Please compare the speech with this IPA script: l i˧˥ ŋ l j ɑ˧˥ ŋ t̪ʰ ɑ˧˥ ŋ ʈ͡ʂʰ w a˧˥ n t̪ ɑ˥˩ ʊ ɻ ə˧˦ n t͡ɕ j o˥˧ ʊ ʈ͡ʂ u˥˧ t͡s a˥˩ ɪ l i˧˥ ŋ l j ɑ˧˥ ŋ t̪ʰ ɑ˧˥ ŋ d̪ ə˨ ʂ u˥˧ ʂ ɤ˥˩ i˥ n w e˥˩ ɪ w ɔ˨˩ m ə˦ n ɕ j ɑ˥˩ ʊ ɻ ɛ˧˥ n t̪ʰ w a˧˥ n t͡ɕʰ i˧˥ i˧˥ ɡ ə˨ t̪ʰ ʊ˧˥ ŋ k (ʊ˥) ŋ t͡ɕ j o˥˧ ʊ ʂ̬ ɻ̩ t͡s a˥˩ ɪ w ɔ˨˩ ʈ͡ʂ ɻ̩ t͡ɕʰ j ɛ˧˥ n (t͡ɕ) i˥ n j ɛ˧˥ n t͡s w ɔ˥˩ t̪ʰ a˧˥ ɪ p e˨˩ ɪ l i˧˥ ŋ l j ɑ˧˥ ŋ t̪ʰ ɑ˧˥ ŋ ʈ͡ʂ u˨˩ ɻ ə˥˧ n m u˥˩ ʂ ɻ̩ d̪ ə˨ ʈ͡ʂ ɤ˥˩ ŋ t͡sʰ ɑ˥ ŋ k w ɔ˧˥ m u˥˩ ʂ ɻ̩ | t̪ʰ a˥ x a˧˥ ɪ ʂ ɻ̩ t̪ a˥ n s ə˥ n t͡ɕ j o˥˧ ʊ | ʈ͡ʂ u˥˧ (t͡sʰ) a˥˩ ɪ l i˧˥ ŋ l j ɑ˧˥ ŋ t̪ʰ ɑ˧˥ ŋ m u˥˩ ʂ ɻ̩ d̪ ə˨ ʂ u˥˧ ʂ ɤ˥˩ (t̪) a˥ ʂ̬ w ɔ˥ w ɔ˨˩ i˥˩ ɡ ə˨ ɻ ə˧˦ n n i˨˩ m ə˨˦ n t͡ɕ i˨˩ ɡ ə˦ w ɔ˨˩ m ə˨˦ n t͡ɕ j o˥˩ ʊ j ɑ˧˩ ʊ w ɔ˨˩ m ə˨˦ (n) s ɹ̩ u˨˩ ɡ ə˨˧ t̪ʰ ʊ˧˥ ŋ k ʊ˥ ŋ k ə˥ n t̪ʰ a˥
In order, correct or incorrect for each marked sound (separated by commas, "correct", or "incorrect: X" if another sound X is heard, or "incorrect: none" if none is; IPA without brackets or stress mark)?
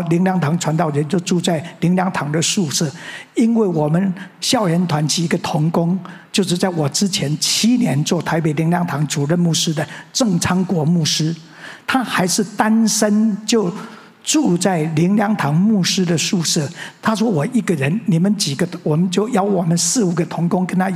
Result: correct, incorrect: t͡ɕʰ, incorrect: t͡s, incorrect: t̪ʰ, correct